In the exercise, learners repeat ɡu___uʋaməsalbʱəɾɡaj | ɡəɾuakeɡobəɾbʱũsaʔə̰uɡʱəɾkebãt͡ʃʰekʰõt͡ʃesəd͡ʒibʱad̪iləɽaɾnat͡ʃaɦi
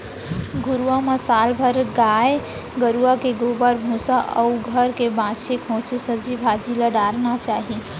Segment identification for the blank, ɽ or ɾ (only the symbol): ɾ